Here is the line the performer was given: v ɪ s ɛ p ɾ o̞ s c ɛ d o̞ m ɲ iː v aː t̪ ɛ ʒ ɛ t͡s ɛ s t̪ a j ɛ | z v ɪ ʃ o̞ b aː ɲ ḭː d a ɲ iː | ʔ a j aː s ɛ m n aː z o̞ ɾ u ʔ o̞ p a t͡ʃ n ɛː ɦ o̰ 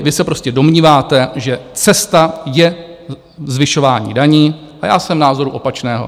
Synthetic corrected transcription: v ɪ s ɛ p ɾ o̞ s c ɛ d o̞ m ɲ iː v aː t̪ ɛ ʒ ɛ t͡s ɛ s t̪ a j ɛ | z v ɪ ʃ o̞ v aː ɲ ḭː d a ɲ iː | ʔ a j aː s ɛ m n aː z o̞ ɾ u ʔ o̞ p a t͡ʃ n ɛː ɦ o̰

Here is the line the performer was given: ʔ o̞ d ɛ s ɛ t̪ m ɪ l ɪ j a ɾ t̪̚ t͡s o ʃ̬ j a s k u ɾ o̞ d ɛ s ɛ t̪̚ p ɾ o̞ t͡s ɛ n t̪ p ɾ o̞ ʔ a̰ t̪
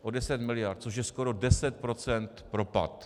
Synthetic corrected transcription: ʔ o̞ d ɛ s ɛ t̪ m ɪ l ɪ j a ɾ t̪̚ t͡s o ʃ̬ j ɛ s k o ɾ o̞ d ɛ s ɛ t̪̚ p ɾ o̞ t͡s ɛ n t̪ p ɾ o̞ p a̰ t̪

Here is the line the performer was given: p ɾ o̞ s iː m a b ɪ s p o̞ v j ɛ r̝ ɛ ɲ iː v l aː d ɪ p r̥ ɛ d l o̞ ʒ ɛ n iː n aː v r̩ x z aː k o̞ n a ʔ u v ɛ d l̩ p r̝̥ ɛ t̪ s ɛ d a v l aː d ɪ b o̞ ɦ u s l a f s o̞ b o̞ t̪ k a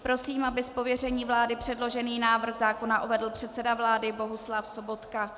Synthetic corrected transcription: p ɾ o̞ s iː m a b ɪ s p o̞ v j ɛ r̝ ɛ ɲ iː v l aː d ɪ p r̥ ɛ d l o̞ ʒ ɛ n iː n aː v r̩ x z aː k o̞ n a ʔ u v ɛ d l̩ p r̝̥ ɛ t̪ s ɛ d a v l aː d ɪ b o̞ ɦ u s l a f s o̞ b o̞ t̪ k a

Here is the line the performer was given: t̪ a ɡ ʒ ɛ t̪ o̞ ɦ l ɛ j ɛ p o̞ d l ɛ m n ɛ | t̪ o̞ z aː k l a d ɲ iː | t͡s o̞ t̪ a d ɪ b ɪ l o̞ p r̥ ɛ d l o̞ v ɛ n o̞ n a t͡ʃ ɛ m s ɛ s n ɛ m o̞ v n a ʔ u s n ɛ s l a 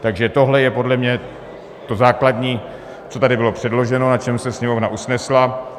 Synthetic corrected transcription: t̪ a ɡ ʒ ɛ t̪ o̞ ɦ l ɛ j ɛ p o̞ d l ɛ m ɲ ɛ | t̪ o̞ z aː k l a d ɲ iː | t͡s o̞ t̪ a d ɪ b ɪ l o̞ p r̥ ɛ d l o̞ ʒ ɛ n o̞ n a t͡ʃ ɛ m s ɛ s ɲ ɛ m o̞ v n a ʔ u s n ɛ s l a

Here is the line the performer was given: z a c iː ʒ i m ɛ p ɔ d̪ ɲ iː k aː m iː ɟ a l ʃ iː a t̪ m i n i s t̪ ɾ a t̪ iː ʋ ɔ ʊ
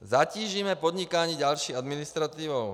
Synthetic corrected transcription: z a c iː ʒ i m ɛ p ɔ d̪ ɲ i k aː ɲ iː ɟ a l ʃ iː a d̪ m i n i s t̪ ɾ a t̪ iː ʋ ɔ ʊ

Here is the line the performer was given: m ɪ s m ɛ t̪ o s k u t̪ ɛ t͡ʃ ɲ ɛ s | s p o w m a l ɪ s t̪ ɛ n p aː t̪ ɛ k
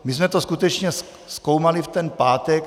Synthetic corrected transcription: m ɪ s m ɛ t̪ o s k u t̪ ɛ t͡ʃ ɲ ɛ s | s k o w m a l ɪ f t̪ ɛ n p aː t̪ ɛ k

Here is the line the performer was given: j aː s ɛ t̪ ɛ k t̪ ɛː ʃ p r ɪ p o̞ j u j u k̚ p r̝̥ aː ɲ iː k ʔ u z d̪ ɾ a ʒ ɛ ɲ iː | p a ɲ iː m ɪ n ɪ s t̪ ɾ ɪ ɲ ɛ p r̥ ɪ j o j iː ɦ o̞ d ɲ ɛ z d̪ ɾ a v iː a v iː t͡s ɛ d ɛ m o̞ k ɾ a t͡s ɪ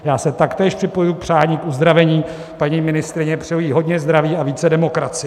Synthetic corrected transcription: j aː s ɛ t̪ a k t̪ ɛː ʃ p r ɪ p o̞ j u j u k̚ p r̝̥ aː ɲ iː k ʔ u z d̪ ɾ a v ɛ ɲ iː | p a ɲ iː m ɪ n ɪ s t̪ ɾ ɪ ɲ ɛ p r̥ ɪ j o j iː ɦ o̞ d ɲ ɛ z d̪ ɾ a v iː a v iː t͡s ɛ d ɛ m o̞ k ɾ a t͡s ɪ

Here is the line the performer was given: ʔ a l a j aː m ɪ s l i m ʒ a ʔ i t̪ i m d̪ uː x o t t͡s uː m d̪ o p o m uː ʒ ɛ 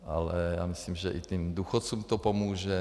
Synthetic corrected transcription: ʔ a l ɛ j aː m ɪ s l i m ʒ ɛ ʔ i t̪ i m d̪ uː x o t t͡s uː m t̪ o p o m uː ʒ ɛ

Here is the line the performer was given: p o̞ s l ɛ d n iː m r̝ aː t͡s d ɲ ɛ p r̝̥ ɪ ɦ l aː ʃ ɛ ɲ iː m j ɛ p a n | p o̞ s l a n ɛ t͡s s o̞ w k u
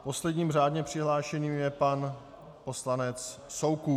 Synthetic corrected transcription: p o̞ s l ɛ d ɲ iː m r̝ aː d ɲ ɛ p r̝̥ ɪ ɦ l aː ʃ ɛ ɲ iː m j ɛ p a n | p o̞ s l a n ɛ t͡s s o̞ w k u

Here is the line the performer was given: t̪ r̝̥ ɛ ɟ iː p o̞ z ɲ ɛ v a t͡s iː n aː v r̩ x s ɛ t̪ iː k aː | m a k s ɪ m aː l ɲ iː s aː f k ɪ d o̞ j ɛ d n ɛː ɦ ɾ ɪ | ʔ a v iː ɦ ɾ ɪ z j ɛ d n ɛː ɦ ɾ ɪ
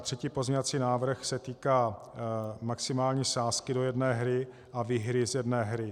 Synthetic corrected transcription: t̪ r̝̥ ɛ c iː p o̞ z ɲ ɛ v a t͡s iː n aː v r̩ x s ɛ t̪ iː k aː | m a k s ɪ m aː l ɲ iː s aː s k ɪ d o̞ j ɛ d n ɛː ɦ ɾ ɪ | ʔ a v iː ɦ ɾ ɪ z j ɛ d n ɛː ɦ ɾ ɪ

